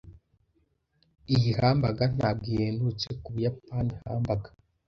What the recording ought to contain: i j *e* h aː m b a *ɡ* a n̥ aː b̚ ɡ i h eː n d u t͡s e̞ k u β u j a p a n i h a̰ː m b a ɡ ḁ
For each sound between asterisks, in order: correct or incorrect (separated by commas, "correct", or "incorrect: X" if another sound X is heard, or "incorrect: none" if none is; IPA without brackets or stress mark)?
incorrect: i, correct